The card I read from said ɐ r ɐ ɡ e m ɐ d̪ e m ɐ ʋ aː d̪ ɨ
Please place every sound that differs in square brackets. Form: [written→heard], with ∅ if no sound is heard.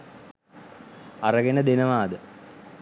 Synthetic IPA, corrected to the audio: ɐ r ɐ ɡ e [m→n] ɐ d̪ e [m→n] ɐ ʋ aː d̪ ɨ